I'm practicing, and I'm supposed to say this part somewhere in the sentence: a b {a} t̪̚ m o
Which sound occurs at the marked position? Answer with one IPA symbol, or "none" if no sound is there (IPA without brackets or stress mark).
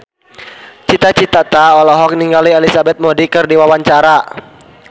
ɛ